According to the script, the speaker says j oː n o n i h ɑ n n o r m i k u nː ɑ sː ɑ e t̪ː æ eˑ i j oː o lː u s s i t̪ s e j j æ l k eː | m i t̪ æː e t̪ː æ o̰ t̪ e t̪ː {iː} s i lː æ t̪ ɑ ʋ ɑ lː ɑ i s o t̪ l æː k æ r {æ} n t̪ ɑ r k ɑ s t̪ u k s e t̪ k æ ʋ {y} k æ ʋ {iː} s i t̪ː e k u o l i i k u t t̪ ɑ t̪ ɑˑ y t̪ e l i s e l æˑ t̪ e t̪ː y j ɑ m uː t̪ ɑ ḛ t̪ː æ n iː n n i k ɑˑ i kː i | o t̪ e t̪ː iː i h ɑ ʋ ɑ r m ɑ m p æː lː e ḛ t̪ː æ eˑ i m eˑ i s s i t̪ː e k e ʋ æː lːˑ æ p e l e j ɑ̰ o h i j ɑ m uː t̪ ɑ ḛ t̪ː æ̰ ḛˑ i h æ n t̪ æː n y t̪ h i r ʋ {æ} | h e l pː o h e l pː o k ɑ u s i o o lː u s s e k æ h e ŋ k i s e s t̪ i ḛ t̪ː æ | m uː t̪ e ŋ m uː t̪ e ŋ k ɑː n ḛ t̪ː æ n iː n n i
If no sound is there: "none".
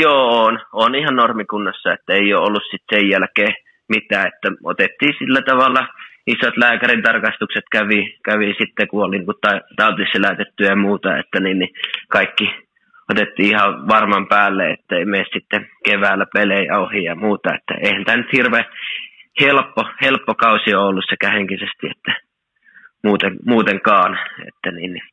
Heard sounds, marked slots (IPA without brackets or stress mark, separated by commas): iː, i, i, i, e